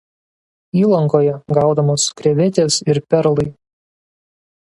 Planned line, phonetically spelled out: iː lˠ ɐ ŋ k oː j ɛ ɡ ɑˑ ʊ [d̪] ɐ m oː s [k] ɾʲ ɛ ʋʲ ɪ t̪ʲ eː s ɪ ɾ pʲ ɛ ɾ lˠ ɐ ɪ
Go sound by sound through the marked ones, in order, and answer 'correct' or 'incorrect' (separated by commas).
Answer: correct, correct